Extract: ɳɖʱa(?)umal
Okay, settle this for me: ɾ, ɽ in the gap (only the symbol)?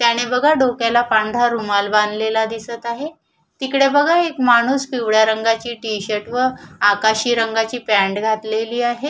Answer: ɾ